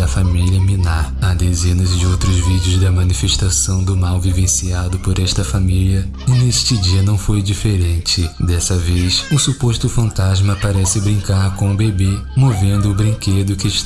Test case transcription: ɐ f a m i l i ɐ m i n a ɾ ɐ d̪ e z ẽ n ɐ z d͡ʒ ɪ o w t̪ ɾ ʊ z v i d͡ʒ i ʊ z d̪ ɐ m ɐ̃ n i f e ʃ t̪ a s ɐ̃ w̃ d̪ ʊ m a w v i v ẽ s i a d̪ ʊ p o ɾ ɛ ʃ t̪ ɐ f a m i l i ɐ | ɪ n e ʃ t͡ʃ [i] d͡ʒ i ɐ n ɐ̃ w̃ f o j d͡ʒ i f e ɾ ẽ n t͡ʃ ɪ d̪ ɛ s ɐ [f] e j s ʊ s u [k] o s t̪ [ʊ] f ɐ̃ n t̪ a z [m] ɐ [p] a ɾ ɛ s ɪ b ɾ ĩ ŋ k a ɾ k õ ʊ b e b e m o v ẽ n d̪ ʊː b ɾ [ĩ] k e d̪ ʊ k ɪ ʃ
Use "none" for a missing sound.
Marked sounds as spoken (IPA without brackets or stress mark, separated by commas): ɪ, v, p, ʊ, m, p, ĩ